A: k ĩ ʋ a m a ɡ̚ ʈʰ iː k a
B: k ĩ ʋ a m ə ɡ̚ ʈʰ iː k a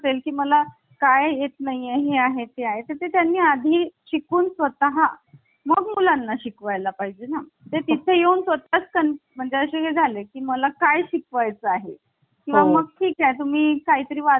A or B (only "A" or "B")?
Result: B